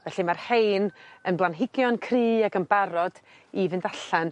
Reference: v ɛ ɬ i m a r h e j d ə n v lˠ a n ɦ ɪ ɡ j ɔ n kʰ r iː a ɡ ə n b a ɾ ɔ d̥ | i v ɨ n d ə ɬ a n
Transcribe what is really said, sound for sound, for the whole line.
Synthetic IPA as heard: v ɛ ɬ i m a r h e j n ə n b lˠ a n ɦ ɪ ɡ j ɔ n kʰ r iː a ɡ ə n b a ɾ ɔ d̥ | i v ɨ n d a ɬ a n